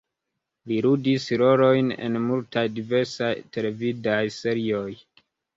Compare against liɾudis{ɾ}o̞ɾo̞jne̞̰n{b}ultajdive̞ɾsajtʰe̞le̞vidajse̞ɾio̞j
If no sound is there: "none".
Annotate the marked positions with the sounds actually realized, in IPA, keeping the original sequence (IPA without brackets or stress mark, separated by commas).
ɾ, m